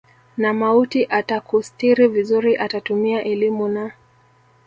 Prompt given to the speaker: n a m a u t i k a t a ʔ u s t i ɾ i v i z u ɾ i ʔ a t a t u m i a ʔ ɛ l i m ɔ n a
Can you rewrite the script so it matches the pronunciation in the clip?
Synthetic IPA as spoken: n a m a u t i ʔ a t a k u s t i ɾ i v i z u ɾ i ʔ a t a t u m i a ʔ ɛ l i m u n a